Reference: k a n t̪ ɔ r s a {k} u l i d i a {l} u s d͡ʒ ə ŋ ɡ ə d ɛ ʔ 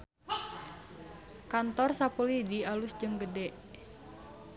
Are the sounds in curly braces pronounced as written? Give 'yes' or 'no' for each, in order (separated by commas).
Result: no, yes